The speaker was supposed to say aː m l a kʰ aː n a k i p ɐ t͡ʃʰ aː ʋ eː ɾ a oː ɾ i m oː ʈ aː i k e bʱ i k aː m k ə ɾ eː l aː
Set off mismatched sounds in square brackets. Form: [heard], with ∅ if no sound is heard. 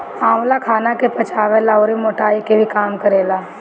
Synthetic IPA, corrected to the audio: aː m l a kʰ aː n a k [e] p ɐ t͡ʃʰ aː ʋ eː [l] a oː ɾ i m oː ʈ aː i k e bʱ i k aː m k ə ɾ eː l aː

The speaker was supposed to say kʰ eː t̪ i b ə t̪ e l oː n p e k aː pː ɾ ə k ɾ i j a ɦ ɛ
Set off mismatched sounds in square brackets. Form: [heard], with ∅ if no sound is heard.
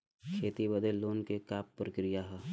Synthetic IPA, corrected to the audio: kʰ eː t̪ i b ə [d̪] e l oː n [k] e k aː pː ɾ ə k ɾ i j a ɦ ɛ

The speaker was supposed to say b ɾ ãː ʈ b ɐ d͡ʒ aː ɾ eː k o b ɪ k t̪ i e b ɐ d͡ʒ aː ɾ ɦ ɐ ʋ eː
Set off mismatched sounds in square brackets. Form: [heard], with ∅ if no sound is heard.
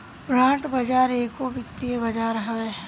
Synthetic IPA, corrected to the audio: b ɾ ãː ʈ b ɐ d͡ʒ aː ɾ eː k o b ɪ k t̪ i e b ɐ d͡ʒ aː ɾ ɦ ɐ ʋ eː

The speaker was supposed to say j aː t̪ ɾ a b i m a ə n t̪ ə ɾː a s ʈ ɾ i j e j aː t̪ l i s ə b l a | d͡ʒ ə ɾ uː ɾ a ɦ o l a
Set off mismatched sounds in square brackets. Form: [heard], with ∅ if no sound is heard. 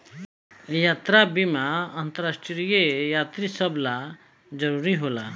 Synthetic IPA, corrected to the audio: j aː t̪ ɾ a b i m a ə n t̪ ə [ɾ] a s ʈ ɾ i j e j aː t̪ [ɾ] i s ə b l a | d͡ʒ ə ɾ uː ɾ [i] ɦ o l a

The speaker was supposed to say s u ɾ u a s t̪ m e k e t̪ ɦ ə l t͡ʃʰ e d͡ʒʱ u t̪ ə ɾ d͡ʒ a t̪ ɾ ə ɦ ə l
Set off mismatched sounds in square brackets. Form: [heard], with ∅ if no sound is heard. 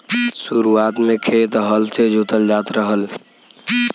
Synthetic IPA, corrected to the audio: s u ɾ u a [∅] t̪ m e [kʰ] e t̪ ɦ ə l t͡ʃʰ e d͡ʒʱ u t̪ ə [l] d͡ʒ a t̪ ɾ ə ɦ ə l

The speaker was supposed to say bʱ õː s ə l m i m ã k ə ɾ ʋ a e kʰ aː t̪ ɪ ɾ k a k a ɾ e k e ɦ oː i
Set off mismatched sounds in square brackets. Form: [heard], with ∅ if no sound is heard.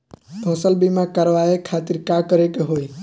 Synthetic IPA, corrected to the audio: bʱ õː s ə l [b] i m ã k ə ɾ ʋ a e kʰ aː t̪ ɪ ɾ k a k [ə] ɾ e k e ɦ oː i

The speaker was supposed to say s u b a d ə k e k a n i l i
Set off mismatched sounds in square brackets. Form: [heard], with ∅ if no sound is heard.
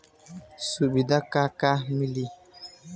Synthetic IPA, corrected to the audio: s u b [i] d [a] k [a] k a [m] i l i

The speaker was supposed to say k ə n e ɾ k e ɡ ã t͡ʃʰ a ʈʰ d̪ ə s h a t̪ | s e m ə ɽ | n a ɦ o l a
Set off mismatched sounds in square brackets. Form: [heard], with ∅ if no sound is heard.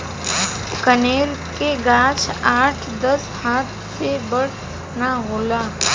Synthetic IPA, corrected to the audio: k ə n e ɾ k e ɡ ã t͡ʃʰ a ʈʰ d̪ ə s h a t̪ | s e [b] ə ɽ | n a ɦ o l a

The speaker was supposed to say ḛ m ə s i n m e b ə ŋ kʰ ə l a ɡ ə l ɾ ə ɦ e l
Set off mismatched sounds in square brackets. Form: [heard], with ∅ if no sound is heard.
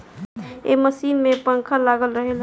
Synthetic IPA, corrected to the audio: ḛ m ə s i n m e [p] ə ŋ kʰ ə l a ɡ ə l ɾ ə ɦ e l

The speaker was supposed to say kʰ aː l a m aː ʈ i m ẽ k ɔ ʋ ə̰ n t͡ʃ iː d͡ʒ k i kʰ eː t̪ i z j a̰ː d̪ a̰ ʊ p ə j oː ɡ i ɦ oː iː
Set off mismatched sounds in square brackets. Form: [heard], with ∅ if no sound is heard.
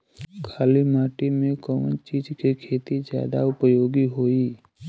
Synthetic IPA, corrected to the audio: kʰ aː l [i] m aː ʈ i m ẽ k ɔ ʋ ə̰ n t͡ʃ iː d͡ʒ k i kʰ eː t̪ i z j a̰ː d̪ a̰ ʊ p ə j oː ɡ i ɦ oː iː

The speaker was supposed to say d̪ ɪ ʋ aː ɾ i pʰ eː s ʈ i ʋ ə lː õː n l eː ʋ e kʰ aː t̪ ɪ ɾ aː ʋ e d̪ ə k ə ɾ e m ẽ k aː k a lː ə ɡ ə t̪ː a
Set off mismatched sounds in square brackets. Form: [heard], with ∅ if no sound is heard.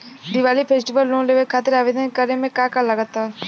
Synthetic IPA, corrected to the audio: d̪ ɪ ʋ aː [l] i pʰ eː s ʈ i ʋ ə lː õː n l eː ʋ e kʰ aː t̪ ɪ ɾ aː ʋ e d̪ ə k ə ɾ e m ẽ k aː k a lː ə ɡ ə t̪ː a

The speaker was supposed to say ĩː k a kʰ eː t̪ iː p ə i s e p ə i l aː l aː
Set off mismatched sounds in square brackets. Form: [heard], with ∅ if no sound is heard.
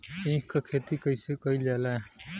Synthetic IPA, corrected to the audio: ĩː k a kʰ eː t̪ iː [k] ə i s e [k] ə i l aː l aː

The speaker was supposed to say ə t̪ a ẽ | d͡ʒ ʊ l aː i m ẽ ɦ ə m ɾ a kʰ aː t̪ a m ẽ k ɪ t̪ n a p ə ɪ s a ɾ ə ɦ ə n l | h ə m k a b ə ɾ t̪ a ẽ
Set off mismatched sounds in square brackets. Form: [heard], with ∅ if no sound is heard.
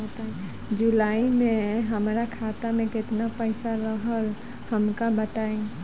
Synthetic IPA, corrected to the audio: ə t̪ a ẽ | d͡ʒ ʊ l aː i m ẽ ɦ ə m ɾ a kʰ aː t̪ a m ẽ k ɪ t̪ n a p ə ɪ s a ɾ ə ɦ ə [∅] l | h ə m k a b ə [∅] t̪ a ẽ

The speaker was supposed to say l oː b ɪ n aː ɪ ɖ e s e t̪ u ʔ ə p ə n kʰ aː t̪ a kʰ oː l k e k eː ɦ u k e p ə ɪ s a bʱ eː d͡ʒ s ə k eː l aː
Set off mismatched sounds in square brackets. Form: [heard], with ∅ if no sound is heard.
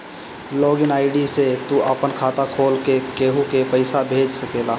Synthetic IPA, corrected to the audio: l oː [ɡ] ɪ n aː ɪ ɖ [i] s e t̪ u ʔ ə p ə n kʰ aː t̪ a kʰ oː l k e k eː ɦ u k e p ə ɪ s a bʱ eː d͡ʒ s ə k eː l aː

